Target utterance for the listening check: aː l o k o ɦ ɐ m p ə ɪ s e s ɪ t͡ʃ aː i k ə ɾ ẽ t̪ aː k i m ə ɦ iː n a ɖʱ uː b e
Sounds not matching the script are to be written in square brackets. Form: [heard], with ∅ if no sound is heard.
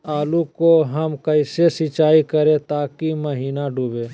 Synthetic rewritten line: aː l [u] k o ɦ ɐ m [k] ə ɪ s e s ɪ t͡ʃ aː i k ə ɾ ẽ t̪ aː k i m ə ɦ iː n a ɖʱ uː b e